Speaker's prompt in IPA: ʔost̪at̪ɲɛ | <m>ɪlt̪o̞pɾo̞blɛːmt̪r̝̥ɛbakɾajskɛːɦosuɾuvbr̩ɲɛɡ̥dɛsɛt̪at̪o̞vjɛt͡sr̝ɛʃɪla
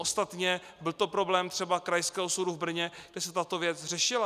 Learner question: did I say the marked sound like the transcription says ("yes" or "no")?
no